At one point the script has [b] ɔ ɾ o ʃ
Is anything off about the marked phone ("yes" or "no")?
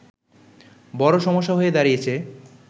no